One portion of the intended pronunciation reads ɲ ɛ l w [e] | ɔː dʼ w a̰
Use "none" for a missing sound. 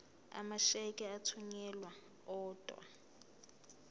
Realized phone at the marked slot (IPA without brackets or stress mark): a